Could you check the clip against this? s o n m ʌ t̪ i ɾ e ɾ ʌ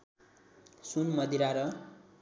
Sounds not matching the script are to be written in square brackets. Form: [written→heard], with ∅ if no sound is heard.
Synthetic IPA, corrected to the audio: s [o→u] n m ʌ [t̪→d̪] i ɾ [e→a] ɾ ʌ